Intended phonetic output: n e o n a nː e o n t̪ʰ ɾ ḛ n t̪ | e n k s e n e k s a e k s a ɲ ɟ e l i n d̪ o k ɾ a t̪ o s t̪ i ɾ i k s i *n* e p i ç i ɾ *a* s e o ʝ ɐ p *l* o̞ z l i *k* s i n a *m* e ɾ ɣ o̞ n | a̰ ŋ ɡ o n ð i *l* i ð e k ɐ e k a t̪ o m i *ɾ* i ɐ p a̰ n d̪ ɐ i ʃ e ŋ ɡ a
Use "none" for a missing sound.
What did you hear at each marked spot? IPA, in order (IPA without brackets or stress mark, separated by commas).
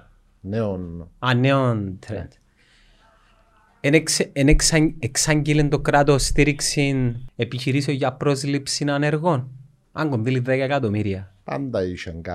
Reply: n, i, ɾ, p, n, l, ɾ